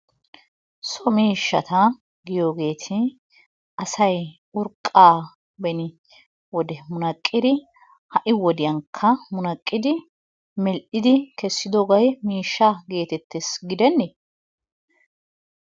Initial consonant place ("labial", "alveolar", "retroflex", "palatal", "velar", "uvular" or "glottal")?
alveolar